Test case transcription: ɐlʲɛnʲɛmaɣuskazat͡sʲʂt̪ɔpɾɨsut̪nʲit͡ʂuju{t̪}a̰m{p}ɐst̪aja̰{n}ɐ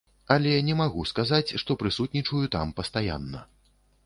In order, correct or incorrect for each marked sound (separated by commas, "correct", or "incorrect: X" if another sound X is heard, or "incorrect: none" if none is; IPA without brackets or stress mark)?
correct, correct, incorrect: nː